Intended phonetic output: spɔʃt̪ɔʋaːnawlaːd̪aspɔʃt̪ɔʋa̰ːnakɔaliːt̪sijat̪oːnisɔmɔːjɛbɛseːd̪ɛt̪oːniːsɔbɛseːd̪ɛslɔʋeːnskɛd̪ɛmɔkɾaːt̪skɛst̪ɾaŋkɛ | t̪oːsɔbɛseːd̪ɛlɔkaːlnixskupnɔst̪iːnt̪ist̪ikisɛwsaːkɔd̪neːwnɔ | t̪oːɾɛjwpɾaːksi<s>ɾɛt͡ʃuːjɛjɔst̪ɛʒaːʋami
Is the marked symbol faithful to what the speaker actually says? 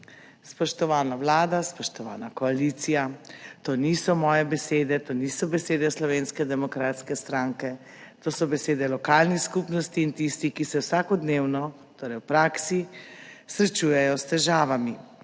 yes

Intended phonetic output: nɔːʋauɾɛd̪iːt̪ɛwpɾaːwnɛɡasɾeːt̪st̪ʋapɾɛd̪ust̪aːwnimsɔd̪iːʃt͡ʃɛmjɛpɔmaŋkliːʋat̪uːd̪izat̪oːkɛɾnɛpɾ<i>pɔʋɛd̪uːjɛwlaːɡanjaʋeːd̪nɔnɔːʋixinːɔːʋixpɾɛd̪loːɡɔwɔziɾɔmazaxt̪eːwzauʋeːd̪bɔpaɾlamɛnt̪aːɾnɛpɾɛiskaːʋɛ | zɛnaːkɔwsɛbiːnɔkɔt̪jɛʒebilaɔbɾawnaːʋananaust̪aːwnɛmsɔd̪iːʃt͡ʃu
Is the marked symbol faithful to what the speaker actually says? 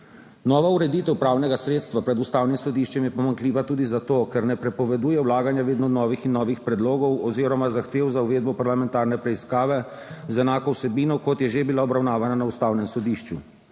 no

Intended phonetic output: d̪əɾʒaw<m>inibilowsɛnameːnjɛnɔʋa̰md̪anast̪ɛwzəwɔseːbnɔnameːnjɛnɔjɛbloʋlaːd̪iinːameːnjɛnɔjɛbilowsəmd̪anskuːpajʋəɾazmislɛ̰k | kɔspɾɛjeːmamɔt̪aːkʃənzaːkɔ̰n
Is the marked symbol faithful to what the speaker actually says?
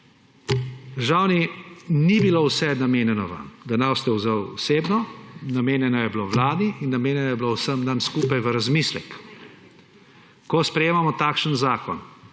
no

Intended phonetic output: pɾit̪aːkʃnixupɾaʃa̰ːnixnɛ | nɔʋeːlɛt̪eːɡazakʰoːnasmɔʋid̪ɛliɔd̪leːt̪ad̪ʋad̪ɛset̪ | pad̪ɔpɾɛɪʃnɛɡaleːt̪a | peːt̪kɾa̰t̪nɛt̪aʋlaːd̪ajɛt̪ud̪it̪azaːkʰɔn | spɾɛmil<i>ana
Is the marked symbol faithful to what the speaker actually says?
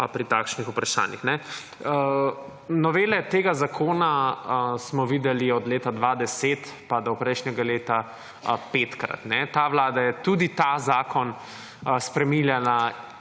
no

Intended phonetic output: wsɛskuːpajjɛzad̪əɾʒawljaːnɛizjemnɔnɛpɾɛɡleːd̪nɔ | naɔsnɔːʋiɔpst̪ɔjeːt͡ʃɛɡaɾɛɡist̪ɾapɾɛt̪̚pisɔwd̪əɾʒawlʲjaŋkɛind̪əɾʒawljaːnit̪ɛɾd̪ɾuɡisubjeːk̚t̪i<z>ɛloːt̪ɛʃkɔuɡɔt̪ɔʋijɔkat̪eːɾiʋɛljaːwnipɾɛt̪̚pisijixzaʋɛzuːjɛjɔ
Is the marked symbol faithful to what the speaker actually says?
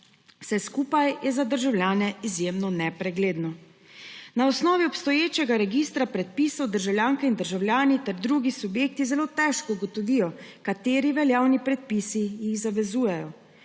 yes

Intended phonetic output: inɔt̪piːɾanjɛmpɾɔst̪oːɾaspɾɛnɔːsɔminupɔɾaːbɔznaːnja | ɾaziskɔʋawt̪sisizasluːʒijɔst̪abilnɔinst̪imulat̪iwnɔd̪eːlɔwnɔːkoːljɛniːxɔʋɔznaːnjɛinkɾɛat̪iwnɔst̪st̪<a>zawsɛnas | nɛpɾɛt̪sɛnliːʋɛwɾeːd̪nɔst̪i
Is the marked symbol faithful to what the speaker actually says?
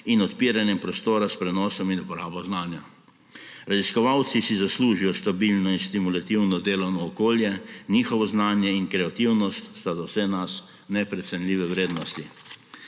yes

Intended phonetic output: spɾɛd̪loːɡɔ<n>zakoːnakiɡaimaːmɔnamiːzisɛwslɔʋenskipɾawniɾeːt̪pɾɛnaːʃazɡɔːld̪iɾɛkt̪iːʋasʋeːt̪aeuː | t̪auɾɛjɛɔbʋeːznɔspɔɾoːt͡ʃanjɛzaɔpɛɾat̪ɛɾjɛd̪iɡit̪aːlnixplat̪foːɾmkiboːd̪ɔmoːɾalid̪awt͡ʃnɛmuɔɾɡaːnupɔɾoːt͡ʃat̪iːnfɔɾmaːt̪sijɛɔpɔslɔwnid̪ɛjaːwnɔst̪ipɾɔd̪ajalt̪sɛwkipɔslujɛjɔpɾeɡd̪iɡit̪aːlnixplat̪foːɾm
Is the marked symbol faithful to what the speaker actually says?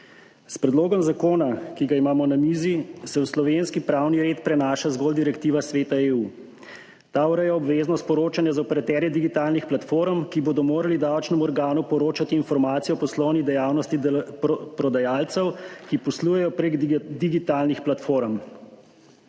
no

